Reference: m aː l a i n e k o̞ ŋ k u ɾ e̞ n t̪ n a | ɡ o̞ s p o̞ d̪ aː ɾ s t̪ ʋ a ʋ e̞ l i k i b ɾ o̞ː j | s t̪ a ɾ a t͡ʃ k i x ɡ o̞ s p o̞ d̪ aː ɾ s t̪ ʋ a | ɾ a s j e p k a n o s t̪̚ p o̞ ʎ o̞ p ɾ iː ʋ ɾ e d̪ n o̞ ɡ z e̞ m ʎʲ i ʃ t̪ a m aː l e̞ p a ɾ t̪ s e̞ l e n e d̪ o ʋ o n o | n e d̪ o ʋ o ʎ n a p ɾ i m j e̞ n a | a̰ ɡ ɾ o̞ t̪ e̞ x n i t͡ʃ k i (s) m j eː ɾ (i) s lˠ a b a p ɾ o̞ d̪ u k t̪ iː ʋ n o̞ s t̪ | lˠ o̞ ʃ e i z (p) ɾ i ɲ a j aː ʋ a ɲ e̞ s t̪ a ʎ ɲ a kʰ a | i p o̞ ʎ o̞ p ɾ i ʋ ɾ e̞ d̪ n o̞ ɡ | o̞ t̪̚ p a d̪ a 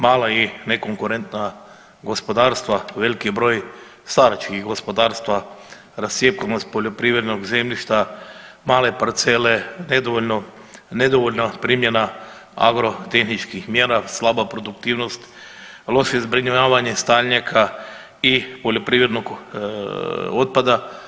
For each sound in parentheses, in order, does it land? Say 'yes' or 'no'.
no, no, no

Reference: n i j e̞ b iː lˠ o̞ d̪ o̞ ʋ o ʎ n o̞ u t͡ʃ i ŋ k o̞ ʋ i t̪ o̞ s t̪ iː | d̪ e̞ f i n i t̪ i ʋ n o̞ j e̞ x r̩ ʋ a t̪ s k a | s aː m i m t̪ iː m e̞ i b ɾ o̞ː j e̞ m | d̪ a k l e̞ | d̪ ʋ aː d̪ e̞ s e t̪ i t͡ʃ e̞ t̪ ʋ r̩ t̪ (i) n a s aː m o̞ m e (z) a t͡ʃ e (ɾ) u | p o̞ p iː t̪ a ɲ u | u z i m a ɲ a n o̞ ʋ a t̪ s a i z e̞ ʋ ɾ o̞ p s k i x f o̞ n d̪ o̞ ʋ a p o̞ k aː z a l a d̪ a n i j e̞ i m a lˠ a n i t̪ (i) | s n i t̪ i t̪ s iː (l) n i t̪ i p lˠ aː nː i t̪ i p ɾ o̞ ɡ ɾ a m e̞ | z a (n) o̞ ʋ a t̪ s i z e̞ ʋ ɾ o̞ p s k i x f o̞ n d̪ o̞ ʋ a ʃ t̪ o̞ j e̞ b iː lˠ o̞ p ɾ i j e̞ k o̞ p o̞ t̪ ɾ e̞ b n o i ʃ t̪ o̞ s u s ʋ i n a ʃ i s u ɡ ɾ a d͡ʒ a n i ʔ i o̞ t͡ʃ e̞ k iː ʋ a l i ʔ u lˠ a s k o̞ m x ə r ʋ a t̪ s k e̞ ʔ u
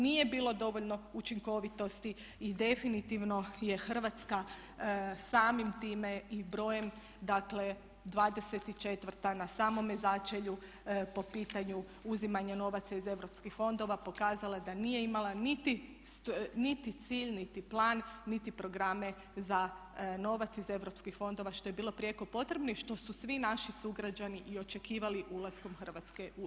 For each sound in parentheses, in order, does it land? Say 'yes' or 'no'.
no, yes, no, yes, no, yes

